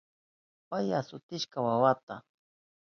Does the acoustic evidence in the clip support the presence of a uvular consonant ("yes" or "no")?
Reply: no